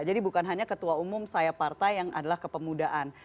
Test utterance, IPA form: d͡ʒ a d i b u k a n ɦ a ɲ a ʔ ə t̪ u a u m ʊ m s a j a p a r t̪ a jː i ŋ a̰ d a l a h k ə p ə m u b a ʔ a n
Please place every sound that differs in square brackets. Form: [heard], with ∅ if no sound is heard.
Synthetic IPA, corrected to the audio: d͡ʒ a d i b u k a n ɦ a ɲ a [k] ə t̪ u a u m ʊ m s a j a p a r t̪ a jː [a] ŋ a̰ d a l a h k ə p ə m u [d] a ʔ a n